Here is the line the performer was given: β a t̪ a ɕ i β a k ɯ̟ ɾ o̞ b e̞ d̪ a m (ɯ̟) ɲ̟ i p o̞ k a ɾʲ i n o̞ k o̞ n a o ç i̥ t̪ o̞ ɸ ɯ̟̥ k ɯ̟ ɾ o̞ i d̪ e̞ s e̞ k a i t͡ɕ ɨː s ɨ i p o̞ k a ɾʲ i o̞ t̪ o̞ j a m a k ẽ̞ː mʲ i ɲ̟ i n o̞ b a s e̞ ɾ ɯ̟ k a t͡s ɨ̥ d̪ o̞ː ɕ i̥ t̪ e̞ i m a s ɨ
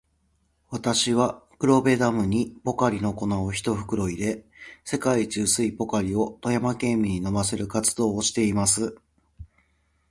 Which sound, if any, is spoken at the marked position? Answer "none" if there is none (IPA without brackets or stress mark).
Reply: ɯ̟